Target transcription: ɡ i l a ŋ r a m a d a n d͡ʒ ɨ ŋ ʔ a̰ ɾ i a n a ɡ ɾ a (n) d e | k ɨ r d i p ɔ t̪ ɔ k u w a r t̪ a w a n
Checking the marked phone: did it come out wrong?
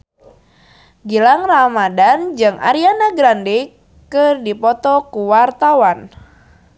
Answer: no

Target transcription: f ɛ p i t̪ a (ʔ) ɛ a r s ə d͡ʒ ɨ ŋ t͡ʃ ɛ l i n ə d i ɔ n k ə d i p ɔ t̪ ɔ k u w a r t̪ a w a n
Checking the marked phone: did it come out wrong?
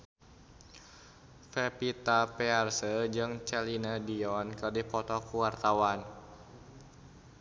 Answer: yes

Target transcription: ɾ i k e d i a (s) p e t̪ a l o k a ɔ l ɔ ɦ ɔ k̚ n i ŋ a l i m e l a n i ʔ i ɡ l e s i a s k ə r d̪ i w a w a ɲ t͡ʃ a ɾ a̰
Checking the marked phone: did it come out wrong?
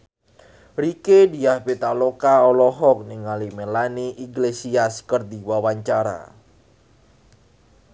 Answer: yes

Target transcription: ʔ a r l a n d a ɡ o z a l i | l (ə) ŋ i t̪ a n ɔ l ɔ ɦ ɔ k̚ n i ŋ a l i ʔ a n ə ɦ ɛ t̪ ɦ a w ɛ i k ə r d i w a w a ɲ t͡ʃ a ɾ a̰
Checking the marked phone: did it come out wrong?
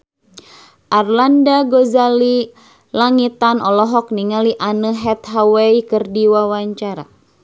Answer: yes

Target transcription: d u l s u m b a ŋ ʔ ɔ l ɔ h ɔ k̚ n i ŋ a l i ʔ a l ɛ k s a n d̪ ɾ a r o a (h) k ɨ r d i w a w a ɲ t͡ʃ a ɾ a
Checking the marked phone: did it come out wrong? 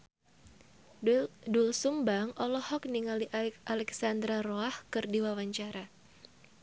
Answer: no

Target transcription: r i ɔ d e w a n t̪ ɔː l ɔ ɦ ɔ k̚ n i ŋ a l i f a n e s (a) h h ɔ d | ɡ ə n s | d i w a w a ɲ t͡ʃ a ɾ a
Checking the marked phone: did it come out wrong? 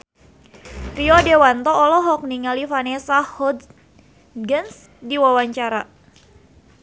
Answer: no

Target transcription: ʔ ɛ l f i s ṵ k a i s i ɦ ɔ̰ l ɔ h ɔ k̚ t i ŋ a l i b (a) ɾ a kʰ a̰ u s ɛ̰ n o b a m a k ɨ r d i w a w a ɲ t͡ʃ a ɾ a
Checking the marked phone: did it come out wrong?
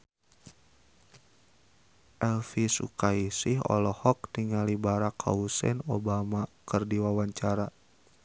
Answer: no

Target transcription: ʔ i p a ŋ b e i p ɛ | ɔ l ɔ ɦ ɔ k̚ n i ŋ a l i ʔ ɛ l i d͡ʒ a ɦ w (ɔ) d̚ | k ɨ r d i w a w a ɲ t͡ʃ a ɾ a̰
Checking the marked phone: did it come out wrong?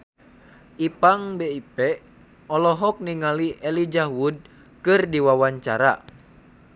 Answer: yes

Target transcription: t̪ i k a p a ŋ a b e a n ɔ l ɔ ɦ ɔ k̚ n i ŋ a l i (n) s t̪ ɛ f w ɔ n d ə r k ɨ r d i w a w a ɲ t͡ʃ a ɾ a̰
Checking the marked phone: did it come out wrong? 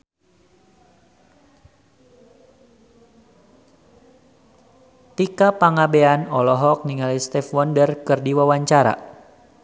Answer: yes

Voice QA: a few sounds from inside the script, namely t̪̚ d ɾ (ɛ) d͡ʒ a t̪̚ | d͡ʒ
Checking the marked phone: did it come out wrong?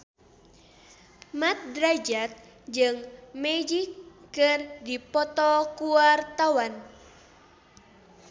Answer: yes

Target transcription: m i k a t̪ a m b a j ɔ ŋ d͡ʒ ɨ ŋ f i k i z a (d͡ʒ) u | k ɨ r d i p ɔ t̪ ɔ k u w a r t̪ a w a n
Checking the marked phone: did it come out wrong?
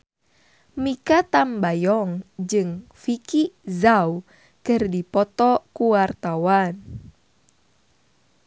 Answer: yes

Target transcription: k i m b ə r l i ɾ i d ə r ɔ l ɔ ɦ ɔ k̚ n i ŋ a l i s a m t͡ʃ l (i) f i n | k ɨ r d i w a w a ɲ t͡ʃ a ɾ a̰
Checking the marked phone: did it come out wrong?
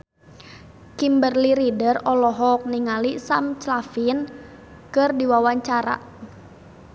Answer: yes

